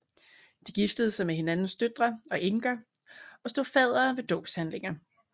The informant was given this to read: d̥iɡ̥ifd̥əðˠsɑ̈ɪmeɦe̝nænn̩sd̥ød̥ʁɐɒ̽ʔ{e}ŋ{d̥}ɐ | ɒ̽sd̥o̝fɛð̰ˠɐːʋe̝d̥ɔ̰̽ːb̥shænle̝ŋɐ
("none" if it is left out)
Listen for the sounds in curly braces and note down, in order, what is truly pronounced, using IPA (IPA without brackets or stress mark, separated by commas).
e, ɡ̥